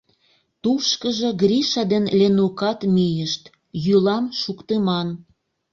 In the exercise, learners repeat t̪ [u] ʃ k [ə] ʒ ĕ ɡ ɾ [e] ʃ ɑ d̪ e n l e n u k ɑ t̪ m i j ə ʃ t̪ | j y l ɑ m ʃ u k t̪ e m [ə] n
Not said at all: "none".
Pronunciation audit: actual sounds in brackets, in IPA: u, ə, i, ɑ

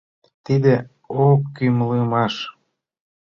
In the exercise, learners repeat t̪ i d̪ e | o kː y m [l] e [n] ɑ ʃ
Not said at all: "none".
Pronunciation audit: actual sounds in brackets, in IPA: l, m

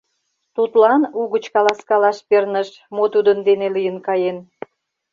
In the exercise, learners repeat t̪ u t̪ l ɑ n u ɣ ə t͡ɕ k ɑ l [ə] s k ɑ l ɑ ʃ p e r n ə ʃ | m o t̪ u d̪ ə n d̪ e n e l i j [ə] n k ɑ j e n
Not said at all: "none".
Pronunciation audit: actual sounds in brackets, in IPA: ɑ, ə

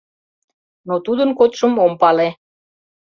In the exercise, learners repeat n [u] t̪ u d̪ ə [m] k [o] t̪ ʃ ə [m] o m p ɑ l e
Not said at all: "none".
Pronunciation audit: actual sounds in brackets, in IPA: o, n, o, m

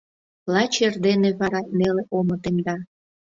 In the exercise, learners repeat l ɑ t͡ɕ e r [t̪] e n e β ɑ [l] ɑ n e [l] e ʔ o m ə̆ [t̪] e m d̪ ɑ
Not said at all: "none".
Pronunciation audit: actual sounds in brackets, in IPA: d̪, ɾ, l, t̪

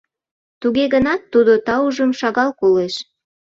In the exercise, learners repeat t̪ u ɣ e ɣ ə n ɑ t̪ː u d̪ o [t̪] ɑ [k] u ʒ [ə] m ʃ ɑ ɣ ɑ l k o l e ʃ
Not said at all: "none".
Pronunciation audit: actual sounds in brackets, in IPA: t̪, none, ə

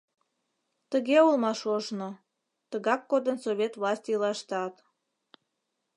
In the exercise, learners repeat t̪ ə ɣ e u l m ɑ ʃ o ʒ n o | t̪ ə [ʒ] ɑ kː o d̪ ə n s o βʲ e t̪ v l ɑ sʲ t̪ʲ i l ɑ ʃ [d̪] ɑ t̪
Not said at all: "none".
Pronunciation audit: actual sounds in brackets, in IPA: ɣ, t̪

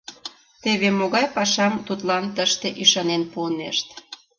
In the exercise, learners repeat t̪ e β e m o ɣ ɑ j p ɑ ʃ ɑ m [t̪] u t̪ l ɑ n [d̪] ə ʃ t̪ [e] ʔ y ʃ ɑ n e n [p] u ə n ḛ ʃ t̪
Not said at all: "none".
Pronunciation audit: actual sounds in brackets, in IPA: t̪, t̪, e, p

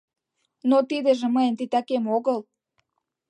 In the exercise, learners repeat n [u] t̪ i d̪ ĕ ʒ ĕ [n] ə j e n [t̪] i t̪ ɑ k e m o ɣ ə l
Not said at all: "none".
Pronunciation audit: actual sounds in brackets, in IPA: o, m, t̪

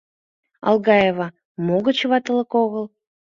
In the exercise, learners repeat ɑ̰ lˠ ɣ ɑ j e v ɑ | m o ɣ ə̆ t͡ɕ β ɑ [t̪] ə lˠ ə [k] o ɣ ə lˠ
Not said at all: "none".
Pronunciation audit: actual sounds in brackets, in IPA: t̪, k

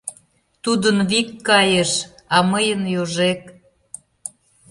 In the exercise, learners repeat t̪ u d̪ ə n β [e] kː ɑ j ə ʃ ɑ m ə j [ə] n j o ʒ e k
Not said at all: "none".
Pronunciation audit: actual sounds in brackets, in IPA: i, ə

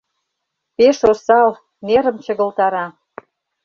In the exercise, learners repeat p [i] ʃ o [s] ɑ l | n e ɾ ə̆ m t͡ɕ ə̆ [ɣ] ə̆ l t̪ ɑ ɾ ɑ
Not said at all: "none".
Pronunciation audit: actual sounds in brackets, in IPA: e, s, ɣ

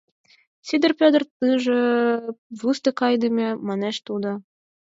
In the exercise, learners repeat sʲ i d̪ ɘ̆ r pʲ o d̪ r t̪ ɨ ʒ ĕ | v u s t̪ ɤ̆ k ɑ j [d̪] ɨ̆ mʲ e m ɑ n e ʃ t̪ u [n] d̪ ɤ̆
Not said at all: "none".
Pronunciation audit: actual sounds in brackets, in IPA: d̪, none

